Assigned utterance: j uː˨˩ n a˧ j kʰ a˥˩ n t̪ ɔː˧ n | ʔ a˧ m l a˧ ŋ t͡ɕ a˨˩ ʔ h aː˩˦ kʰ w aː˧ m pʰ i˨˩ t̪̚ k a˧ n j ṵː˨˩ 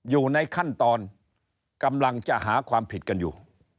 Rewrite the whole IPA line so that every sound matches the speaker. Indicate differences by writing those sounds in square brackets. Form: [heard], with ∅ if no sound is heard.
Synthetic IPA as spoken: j uː˨˩ n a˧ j kʰ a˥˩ n t̪ ɔː˧ n | [k] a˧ m l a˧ ŋ t͡ɕ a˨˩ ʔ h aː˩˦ kʰ w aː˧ m pʰ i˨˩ t̪̚ k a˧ n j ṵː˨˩